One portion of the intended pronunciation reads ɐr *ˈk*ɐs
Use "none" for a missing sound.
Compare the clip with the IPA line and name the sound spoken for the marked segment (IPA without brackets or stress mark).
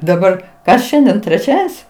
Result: k